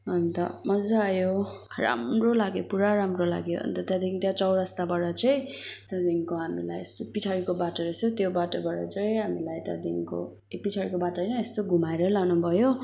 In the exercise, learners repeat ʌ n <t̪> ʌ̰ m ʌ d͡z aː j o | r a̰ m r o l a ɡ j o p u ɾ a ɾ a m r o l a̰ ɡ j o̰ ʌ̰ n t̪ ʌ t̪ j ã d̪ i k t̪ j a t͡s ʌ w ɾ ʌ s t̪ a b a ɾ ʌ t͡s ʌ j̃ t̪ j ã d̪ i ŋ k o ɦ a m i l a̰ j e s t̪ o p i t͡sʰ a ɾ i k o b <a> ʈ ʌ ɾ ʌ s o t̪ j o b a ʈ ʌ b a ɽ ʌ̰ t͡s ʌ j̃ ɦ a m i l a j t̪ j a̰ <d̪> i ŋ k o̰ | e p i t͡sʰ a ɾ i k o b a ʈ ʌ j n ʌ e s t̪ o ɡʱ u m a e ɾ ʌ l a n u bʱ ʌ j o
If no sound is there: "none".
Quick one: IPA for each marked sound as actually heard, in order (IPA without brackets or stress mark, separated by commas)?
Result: t̪, a, d̪